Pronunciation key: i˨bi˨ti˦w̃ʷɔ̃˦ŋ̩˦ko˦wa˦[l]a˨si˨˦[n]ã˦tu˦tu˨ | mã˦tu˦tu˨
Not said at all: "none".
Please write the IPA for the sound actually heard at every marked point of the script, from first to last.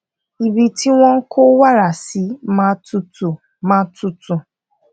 ɾ, m

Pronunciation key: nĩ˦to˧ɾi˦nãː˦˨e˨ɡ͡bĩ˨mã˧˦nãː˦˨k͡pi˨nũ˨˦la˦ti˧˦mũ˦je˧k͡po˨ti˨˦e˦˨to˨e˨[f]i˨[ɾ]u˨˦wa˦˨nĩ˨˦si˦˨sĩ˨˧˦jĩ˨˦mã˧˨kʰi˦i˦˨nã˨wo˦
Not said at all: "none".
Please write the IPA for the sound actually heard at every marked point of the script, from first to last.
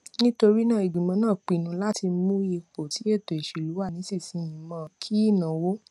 ʃ, l

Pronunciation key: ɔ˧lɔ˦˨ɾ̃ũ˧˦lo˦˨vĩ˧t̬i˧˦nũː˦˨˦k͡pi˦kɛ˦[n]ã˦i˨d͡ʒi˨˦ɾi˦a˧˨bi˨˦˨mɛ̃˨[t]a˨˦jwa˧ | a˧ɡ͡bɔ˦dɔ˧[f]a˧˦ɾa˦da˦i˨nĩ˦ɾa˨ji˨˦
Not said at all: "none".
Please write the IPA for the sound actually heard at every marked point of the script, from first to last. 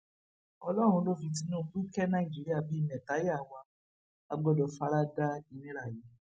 n, t, f

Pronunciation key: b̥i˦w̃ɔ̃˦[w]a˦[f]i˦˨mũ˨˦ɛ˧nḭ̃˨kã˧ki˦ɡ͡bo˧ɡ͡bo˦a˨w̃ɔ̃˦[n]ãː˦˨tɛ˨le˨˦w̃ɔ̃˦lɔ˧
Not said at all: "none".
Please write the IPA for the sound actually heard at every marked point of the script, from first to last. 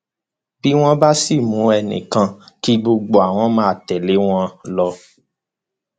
b, s, m

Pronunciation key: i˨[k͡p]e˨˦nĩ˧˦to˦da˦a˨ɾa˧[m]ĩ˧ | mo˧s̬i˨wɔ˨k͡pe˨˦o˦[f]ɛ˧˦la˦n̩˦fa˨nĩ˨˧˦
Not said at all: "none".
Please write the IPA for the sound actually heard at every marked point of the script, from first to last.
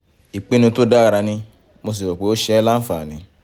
k͡p, n, ʃ

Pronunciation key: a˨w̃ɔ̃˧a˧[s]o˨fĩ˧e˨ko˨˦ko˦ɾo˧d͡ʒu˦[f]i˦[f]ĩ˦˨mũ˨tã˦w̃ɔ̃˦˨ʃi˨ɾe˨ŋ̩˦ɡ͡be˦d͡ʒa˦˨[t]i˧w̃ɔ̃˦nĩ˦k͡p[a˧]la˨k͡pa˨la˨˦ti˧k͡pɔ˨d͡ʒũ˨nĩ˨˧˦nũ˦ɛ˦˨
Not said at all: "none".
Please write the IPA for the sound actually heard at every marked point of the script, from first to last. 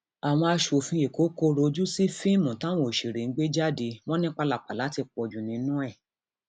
ʃ, s, f, d, a˧

